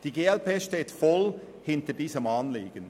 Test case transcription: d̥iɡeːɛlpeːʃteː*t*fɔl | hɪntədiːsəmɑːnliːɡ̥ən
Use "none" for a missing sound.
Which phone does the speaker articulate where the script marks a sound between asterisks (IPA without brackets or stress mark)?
t